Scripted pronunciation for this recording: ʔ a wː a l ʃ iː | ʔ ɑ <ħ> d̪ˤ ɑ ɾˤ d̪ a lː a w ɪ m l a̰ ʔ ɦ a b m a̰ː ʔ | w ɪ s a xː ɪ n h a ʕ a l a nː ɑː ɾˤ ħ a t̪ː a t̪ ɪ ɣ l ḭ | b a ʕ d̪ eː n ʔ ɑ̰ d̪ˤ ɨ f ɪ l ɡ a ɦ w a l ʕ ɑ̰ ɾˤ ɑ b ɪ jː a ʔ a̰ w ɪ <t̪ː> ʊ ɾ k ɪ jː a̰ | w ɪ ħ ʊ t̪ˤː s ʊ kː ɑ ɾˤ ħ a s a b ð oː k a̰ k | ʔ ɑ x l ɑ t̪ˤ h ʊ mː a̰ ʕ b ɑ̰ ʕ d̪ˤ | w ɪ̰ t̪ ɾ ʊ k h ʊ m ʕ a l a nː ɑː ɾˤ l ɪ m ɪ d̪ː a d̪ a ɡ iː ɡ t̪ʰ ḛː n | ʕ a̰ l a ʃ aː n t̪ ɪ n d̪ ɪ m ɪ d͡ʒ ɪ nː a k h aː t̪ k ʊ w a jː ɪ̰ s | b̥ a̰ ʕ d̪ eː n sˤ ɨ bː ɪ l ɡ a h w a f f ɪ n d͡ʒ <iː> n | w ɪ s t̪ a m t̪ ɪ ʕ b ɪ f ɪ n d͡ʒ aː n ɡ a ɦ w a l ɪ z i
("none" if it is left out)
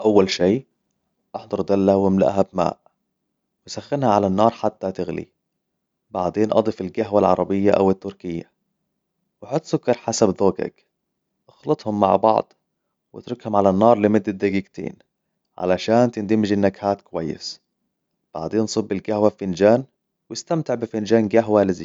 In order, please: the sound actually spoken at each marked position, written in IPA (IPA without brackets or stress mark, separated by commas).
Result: ħ, t̪ː, aː